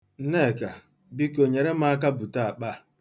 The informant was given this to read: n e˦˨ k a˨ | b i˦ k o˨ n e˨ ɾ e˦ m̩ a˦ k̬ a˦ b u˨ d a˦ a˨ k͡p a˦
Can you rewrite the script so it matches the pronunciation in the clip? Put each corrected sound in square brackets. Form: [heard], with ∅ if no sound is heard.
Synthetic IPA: n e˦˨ k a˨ | b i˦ k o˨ [ɲ] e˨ ɾ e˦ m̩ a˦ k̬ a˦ b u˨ [t] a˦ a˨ k͡p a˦